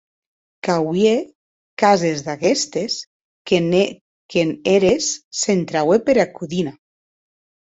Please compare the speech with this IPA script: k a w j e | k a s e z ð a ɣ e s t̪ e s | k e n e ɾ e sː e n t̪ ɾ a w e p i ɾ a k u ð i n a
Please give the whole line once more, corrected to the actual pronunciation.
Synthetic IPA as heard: k a w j e | k a z e z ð a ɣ e s t̪ e s | k e n e ɾ e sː e n t̪ ɾ a w e p e ɾ a k u ð i n a